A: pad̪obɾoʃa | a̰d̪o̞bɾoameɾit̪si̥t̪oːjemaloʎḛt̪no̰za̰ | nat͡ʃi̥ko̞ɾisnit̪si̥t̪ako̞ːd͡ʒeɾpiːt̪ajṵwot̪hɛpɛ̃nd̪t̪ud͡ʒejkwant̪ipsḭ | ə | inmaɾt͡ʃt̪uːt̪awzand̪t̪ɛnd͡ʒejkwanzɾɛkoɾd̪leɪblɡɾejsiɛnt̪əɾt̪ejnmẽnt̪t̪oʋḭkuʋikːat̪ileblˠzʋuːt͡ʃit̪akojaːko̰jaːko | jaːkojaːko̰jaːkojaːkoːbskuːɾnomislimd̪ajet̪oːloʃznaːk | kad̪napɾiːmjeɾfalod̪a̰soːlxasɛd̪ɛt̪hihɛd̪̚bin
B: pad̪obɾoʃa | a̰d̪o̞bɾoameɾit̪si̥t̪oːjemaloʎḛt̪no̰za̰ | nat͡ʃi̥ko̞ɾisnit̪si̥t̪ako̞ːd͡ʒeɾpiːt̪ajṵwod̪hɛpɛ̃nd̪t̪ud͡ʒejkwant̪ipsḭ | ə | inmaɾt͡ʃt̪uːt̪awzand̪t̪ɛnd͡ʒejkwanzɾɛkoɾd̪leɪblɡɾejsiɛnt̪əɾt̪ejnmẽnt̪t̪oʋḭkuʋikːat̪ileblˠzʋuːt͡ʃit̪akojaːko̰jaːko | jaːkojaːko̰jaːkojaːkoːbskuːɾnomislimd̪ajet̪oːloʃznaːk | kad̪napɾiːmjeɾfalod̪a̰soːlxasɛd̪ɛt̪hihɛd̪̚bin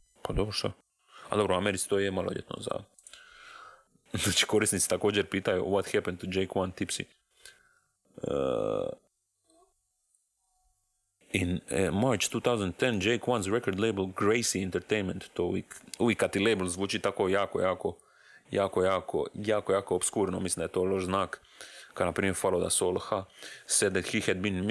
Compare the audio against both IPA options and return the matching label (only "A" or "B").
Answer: A